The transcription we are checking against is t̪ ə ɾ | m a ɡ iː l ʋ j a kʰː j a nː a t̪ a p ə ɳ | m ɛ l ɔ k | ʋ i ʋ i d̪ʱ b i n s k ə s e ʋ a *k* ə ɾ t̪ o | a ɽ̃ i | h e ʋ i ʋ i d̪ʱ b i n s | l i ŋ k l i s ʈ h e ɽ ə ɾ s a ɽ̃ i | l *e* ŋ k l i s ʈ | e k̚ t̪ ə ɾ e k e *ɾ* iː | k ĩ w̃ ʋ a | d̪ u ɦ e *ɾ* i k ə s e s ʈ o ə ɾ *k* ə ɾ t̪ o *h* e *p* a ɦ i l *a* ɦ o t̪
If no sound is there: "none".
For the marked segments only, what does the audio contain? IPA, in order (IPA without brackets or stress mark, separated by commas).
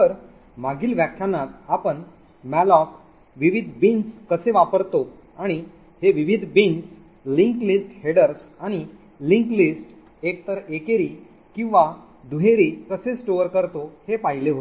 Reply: p, i, ɾ, ɾ, k, h, p, e